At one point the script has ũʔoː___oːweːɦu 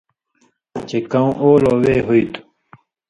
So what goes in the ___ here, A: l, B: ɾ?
A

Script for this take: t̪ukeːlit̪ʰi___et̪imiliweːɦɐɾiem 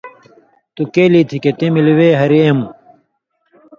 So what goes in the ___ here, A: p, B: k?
B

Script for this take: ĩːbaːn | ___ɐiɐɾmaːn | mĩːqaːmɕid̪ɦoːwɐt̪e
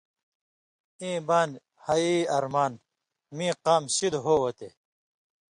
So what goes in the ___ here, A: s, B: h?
B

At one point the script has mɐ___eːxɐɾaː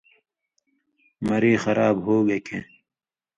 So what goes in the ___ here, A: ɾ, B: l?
A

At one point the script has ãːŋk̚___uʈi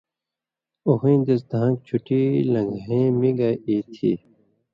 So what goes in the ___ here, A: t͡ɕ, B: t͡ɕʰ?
B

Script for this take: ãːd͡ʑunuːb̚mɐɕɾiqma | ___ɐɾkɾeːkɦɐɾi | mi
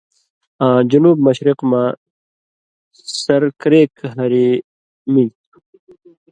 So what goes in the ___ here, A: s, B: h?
A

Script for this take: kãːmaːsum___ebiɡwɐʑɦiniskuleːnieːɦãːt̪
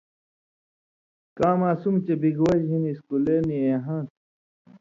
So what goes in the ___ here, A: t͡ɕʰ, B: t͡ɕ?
B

